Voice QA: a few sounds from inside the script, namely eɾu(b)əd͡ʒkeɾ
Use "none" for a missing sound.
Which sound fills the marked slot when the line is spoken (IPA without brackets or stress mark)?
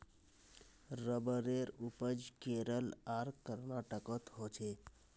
p